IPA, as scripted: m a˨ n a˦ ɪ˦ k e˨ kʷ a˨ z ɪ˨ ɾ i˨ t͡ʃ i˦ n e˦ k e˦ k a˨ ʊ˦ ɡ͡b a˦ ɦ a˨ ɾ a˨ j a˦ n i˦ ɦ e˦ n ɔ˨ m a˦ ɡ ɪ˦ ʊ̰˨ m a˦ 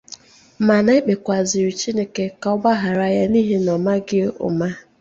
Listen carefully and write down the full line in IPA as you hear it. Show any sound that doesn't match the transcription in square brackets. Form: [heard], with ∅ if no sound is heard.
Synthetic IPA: m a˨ n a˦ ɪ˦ [k͡p] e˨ kʷ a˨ z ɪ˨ ɾ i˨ t͡ʃ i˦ n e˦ k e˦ k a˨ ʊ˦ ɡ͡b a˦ ɦ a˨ ɾ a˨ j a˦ n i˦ ɦ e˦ n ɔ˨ m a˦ ɡ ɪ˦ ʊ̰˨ m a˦